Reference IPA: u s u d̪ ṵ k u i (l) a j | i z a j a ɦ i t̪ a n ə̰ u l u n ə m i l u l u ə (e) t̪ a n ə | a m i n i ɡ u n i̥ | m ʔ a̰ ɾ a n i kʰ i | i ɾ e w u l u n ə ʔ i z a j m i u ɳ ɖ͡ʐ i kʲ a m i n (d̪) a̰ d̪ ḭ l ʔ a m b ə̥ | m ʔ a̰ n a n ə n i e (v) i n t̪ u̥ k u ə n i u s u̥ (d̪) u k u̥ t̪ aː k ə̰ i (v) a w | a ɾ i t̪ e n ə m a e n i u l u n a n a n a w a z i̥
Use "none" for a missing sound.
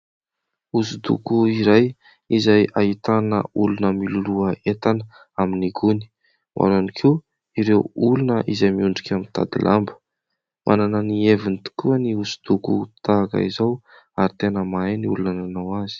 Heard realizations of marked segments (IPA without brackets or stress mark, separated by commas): ɾ, e, t̪, v, d̪, z